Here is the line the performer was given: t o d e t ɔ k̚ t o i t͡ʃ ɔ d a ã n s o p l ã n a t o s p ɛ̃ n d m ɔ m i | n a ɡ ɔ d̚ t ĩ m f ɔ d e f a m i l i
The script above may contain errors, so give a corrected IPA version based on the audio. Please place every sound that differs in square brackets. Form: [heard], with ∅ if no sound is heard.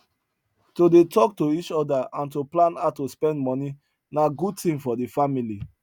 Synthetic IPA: t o d e t ɔ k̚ t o i t͡ʃ ɔ d a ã n [t] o p l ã n a t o s p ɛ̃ n d m ɔ [n] i | n a ɡ [u] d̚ t ĩ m f ɔ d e f a m i l i